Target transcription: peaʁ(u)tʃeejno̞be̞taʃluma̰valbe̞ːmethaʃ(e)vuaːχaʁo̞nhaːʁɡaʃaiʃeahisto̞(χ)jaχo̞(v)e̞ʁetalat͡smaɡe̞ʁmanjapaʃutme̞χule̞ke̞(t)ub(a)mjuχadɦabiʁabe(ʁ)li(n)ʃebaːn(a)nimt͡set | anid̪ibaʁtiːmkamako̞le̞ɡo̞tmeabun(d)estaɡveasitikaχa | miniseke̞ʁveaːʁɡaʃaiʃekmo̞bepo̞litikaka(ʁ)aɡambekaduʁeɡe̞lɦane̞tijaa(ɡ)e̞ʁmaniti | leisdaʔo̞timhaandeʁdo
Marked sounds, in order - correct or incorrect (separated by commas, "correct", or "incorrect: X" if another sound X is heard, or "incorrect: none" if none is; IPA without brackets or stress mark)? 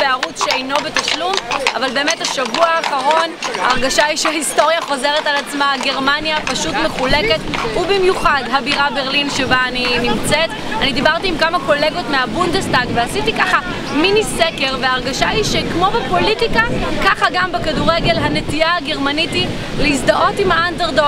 correct, incorrect: a, incorrect: ʁ, incorrect: z, correct, incorrect: i, correct, correct, incorrect: i, correct, incorrect: χ, correct